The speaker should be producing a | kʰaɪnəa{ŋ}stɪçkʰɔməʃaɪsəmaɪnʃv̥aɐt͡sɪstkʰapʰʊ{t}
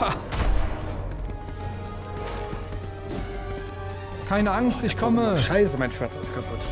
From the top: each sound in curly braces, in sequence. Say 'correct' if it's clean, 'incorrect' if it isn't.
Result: correct, correct

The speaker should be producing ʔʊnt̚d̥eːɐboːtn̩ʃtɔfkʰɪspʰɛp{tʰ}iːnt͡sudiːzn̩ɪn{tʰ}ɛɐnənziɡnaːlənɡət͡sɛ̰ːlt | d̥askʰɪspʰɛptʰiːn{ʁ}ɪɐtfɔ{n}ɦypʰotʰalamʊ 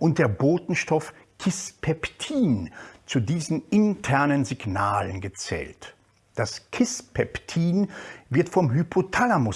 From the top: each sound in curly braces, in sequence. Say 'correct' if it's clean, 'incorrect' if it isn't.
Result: correct, correct, incorrect, incorrect

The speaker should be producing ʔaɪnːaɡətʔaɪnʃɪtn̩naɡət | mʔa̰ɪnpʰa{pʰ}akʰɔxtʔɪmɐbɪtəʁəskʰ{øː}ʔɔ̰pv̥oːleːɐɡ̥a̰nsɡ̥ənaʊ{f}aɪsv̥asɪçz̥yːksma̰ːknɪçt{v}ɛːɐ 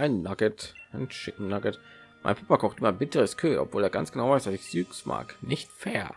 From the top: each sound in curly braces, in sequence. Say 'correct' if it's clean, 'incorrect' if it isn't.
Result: incorrect, correct, incorrect, incorrect

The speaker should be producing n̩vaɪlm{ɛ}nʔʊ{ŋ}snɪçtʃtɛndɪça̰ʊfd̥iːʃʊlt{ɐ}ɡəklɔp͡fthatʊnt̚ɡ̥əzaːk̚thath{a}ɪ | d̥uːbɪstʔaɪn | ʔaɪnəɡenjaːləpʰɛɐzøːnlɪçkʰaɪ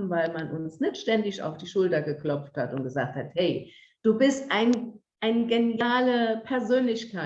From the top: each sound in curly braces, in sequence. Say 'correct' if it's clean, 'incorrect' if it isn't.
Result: incorrect, incorrect, correct, incorrect

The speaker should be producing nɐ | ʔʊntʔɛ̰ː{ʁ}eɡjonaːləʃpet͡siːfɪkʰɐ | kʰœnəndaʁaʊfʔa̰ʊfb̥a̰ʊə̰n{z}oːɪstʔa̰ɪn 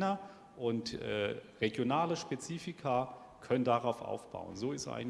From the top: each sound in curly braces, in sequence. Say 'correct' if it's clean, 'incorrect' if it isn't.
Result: correct, correct

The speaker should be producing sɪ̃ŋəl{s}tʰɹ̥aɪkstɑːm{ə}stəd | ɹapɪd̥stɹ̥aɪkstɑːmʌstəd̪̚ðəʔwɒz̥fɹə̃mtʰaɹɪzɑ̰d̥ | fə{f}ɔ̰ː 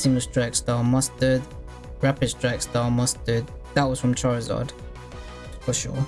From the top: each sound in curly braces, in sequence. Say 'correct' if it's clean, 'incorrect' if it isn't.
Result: correct, incorrect, incorrect

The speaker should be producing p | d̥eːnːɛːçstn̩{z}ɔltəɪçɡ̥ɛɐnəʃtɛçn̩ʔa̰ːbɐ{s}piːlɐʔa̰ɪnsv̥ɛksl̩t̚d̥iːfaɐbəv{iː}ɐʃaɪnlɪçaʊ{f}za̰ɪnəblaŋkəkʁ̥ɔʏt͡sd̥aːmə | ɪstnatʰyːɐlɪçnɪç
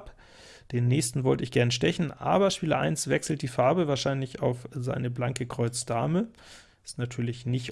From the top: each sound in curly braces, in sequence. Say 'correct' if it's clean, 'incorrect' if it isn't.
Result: incorrect, incorrect, incorrect, correct

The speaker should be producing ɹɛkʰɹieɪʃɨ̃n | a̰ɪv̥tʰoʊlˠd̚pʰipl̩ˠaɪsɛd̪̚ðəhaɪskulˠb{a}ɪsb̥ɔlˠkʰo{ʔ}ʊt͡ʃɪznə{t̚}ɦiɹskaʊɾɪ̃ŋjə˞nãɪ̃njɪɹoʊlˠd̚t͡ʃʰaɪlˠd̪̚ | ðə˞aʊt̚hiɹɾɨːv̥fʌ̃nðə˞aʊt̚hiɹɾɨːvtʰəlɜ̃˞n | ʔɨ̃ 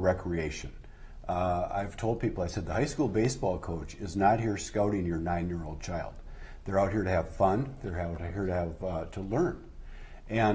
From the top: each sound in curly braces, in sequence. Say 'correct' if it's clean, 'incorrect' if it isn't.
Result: incorrect, incorrect, correct

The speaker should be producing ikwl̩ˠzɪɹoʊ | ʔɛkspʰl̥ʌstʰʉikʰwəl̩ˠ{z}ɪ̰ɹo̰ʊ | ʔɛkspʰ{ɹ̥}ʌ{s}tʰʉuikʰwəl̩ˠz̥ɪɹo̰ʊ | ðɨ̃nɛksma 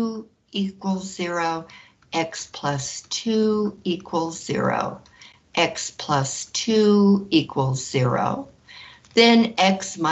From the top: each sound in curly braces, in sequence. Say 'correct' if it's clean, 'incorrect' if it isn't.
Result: correct, incorrect, correct

